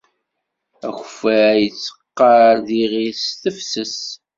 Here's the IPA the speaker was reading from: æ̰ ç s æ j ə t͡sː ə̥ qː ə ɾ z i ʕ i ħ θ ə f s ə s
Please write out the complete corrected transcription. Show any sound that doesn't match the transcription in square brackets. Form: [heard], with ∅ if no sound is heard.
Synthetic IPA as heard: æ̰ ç [f] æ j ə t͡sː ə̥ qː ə ɾ [ð] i [ʁ] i [s] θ ə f s ə s